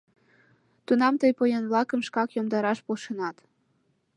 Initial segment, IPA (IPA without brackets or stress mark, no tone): t̪